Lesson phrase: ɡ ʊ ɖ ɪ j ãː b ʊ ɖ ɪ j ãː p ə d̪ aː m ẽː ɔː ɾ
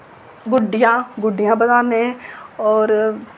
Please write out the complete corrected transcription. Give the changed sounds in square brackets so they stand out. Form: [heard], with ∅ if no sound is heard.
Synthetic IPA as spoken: ɡ ʊ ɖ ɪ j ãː [ɡ] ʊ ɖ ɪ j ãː [b] ə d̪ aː [n] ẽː ɔː ɾ